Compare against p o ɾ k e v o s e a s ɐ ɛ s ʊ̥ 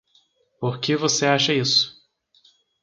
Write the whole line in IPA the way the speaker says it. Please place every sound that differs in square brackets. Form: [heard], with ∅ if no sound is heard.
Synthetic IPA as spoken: p o ɾ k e v o s e a [ʃ] ɐ [i] s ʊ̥